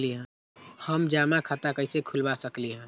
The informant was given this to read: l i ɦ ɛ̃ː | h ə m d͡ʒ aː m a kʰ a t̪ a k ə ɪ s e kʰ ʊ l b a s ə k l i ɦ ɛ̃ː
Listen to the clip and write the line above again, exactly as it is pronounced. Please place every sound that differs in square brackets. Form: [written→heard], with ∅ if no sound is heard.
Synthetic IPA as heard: l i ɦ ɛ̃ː | h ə m d͡ʒ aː m a kʰ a t̪ a k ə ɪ s e kʰ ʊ l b a s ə k l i ɦ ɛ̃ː